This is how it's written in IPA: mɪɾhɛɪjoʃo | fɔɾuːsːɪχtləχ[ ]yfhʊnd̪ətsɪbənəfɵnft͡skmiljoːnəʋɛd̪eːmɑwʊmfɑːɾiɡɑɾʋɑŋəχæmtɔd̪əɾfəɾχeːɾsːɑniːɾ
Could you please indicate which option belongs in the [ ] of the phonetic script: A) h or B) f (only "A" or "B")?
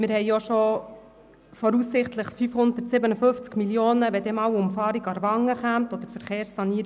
B